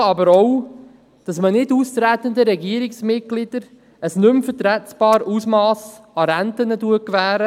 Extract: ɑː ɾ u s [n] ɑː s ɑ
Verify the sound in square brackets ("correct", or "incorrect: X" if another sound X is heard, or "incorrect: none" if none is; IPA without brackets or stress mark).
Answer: incorrect: m